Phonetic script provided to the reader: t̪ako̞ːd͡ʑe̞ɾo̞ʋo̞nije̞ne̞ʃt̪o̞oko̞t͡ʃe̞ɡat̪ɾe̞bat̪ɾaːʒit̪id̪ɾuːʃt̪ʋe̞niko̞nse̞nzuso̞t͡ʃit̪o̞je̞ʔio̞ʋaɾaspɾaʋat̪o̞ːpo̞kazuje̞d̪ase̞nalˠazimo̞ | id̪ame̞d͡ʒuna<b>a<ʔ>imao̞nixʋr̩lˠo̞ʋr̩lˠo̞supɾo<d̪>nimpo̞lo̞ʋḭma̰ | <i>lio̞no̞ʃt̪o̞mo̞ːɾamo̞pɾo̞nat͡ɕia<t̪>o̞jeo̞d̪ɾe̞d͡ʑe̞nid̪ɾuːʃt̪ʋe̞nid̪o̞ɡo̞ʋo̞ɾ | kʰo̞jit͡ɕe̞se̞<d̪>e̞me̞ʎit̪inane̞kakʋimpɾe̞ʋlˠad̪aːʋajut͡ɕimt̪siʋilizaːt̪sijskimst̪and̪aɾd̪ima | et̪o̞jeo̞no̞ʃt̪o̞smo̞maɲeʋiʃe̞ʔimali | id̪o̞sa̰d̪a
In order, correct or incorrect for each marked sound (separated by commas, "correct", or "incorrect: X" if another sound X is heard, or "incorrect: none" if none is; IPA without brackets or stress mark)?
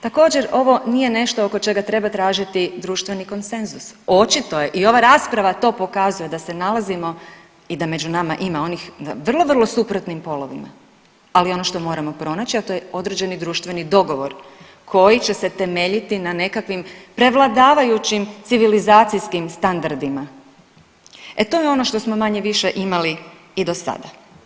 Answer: incorrect: m, correct, incorrect: t̪, incorrect: a, correct, incorrect: t̪